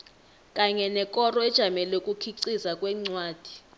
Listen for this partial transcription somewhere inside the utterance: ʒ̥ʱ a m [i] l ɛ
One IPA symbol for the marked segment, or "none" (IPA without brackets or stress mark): ɛ